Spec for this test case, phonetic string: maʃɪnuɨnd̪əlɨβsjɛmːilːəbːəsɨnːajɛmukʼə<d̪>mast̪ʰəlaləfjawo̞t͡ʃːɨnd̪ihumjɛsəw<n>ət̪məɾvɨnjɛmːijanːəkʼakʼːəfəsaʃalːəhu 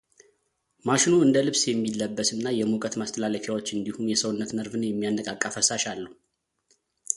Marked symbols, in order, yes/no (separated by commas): no, no